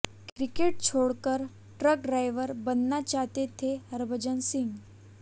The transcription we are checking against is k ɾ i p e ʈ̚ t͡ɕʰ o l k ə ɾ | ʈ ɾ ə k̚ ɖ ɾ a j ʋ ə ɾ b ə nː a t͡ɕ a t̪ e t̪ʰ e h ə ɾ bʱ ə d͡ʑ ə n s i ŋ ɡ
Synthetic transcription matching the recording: k ɾ i k e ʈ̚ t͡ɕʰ o ɽ k ə ɾ | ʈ ɾ ə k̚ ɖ ɾ a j ʋ ə ɾ b ə nː a t͡ɕ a t̪ e t̪ʰ e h ə ɾ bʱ ə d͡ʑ ə n s i ŋ ɡ